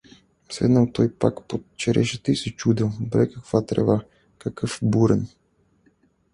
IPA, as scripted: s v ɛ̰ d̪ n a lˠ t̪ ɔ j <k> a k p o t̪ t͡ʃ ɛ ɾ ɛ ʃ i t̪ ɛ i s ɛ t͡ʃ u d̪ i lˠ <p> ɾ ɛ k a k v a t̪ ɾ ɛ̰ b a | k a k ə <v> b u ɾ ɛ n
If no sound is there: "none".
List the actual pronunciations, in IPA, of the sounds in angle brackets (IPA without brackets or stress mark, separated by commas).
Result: p, b, f